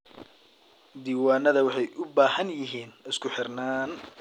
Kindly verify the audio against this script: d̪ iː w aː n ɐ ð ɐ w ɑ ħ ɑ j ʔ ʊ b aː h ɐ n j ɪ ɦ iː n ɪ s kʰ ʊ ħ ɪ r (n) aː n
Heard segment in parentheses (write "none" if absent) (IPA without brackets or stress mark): n